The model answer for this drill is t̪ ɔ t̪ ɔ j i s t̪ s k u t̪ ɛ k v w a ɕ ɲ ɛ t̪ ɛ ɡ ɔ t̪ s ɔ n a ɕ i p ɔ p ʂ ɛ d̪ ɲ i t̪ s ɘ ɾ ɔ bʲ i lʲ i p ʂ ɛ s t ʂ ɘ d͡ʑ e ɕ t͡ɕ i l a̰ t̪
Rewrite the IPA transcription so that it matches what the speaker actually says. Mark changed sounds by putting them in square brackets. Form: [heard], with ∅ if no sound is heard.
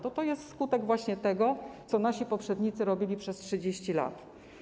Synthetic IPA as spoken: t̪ ɔ t̪ ɔ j [ɛ] s t̪ s k u t̪ ɛ [ɡ] v w a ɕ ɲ ɛ t̪ ɛ ɡ ɔ t̪ s ɔ n a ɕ i p ɔ p ʂ ɛ d̪ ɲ i t̪ s ɘ ɾ ɔ bʲ i lʲ i p ʂ ɛ s t ʂ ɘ d͡ʑ e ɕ t͡ɕ i l a̰ t̪